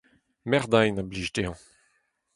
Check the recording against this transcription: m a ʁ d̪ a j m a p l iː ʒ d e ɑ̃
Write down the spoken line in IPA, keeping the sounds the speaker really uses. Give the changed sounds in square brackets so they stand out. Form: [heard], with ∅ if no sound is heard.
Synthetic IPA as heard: m [ɛ] ʁ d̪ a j [n] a [b] l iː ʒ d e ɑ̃